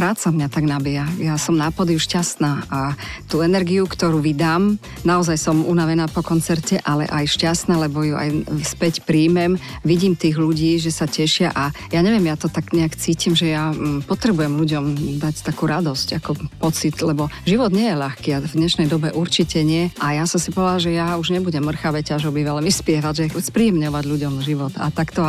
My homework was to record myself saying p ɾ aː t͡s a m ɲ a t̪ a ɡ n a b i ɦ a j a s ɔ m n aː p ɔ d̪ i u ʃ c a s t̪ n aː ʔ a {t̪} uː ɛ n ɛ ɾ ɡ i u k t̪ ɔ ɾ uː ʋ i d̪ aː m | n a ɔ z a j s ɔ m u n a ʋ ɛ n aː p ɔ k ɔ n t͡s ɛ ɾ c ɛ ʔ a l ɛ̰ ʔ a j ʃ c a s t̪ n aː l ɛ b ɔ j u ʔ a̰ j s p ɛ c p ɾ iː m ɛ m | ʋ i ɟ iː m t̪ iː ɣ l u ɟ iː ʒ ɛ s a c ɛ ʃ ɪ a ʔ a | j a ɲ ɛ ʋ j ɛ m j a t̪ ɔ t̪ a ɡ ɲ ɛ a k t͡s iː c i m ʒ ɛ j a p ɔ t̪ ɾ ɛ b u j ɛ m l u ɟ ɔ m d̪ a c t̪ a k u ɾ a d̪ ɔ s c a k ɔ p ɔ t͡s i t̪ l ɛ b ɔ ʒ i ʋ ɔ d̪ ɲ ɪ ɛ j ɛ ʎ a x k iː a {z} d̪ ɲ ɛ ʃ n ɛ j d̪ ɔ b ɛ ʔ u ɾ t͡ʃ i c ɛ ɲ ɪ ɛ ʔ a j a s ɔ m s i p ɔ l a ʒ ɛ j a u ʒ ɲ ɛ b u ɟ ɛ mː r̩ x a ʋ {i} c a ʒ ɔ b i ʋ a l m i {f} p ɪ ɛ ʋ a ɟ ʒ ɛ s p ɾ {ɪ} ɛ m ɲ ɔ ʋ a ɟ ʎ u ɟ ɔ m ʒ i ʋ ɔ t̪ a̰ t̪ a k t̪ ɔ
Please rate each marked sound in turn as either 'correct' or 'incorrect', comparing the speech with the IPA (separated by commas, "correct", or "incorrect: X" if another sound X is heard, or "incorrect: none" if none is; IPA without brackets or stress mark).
correct, incorrect: v, incorrect: ɛ, incorrect: s, incorrect: i